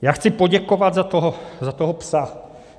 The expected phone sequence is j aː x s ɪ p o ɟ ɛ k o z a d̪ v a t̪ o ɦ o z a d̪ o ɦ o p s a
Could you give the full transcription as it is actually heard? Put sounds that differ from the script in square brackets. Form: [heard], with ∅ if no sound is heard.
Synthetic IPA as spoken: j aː x [t͡s] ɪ p o ɟ ɛ k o [v] a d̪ [z] a t̪ o ɦ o z a [t̪] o ɦ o p s a